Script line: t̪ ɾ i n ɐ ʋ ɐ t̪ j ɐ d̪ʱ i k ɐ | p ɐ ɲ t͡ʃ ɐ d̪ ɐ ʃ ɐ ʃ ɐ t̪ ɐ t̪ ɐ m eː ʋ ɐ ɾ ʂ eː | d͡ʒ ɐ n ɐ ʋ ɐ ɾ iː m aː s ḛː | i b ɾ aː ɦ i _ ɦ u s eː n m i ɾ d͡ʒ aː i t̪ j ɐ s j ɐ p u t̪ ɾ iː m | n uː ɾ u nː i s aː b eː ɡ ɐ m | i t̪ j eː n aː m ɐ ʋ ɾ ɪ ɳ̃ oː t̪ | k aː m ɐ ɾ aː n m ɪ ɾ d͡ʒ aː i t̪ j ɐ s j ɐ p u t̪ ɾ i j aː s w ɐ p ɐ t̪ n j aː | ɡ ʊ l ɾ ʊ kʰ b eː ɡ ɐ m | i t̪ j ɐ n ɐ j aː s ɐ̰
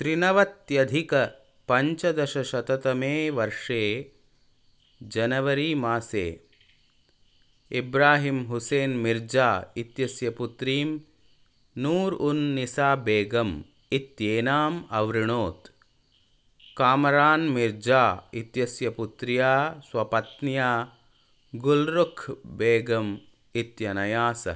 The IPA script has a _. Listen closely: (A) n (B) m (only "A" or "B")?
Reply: B